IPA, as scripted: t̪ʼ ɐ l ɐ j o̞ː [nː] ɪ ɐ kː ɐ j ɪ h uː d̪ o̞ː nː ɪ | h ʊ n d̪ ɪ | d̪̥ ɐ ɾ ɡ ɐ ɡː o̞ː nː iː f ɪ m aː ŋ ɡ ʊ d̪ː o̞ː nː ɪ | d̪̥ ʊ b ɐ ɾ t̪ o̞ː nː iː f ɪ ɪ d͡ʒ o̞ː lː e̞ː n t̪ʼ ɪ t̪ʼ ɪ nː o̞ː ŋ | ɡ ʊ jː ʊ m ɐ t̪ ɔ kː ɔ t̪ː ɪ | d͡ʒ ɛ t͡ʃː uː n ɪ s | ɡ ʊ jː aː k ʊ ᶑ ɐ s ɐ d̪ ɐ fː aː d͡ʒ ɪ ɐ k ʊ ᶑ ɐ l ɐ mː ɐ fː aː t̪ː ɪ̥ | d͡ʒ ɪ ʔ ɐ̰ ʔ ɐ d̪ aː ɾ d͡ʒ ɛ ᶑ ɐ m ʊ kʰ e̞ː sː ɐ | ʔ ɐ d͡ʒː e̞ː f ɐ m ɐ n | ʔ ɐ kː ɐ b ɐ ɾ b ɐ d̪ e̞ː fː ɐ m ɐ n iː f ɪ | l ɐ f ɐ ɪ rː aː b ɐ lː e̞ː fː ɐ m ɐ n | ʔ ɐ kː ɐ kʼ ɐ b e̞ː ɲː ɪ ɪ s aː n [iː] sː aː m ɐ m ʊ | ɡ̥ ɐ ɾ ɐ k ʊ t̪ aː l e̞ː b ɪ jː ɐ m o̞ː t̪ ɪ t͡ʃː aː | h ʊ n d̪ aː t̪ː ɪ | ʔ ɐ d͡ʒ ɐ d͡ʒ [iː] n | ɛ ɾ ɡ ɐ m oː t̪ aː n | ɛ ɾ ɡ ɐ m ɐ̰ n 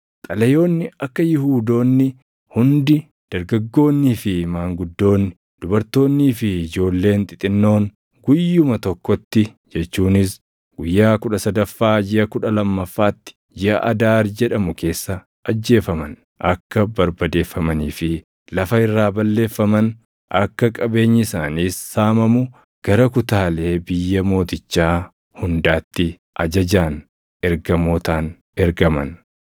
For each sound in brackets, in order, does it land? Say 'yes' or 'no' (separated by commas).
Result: yes, yes, no